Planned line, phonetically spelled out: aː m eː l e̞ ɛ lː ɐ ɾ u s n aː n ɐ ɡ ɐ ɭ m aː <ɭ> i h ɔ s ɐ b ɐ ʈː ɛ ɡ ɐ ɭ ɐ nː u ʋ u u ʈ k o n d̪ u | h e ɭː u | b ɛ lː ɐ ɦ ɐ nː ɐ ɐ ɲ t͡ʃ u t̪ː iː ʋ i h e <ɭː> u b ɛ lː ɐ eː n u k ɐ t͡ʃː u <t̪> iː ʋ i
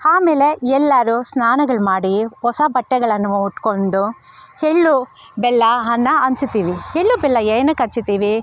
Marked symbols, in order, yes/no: no, yes, yes

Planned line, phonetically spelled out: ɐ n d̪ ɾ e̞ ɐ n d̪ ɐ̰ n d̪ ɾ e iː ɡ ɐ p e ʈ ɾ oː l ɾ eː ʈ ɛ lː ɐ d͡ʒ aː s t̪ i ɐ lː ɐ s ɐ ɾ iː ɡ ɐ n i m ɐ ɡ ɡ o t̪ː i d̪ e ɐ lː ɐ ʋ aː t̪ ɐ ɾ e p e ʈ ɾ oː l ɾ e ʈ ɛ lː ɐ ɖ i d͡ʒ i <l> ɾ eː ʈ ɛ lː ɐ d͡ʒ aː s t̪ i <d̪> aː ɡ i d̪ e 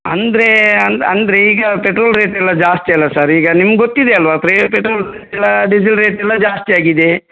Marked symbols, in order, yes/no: yes, no

